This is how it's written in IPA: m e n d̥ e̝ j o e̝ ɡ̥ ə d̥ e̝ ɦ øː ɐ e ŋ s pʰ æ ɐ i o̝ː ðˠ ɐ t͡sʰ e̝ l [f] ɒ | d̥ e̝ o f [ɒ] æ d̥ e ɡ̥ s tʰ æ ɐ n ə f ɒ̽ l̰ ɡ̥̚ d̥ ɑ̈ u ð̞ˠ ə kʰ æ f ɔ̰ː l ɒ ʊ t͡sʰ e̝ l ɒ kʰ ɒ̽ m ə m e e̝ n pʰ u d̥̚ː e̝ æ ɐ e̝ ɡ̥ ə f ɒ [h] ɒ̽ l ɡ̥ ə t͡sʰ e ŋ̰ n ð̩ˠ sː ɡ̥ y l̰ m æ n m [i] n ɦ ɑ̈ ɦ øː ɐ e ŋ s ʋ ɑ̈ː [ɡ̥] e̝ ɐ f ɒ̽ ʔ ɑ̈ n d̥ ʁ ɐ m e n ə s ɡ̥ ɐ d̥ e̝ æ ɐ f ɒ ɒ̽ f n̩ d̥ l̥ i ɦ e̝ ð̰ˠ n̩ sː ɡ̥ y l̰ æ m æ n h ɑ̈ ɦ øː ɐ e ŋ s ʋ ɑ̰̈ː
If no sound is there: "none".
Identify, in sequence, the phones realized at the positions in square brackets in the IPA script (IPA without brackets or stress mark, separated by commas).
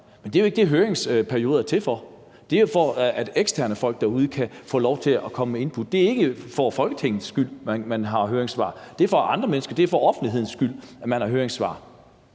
f, ɒ, f, æ, d̥